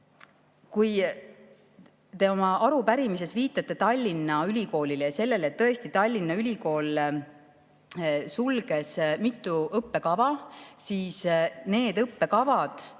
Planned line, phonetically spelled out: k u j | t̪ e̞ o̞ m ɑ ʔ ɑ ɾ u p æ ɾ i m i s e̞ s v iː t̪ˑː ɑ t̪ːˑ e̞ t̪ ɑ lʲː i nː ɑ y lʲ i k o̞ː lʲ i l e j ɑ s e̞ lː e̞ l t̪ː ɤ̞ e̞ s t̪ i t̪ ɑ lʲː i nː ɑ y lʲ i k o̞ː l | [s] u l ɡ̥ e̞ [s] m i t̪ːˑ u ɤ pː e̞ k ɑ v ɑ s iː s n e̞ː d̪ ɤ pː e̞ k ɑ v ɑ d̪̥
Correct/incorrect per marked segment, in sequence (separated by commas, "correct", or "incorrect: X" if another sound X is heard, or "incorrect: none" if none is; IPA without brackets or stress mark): correct, correct